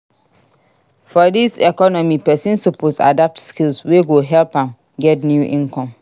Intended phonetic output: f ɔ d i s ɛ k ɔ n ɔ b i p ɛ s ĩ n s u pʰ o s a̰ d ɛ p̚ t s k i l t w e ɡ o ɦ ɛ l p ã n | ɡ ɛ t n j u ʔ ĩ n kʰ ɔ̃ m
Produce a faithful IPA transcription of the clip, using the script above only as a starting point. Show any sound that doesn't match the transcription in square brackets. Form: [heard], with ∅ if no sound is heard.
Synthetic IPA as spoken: f ɔ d i s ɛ k ɔ n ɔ [m] i p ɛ s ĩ n s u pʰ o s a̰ d [a] p̚ t s k i l [s] w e ɡ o ɦ ɛ l p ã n | ɡ ɛ t n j u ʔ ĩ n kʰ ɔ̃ m